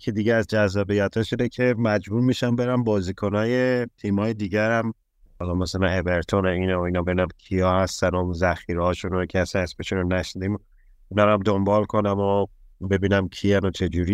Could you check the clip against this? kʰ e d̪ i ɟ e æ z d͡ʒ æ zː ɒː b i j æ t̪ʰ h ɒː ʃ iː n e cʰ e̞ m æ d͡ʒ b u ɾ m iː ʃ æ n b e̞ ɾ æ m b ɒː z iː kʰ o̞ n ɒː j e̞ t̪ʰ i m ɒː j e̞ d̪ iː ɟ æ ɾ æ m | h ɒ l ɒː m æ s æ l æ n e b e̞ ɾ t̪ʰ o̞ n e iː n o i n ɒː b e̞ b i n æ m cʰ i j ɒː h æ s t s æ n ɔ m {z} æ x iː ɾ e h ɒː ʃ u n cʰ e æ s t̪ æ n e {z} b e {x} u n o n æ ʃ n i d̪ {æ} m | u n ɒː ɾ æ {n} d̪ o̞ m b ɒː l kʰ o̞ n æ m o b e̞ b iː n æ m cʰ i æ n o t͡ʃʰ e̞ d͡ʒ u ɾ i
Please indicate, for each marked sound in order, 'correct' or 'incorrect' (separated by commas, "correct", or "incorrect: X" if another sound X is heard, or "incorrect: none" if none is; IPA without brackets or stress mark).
correct, incorrect: s, incorrect: ʃ, incorrect: i, incorrect: m